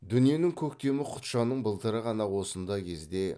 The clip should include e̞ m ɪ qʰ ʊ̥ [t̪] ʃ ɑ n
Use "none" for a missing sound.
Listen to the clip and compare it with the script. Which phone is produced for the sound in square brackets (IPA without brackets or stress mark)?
t̪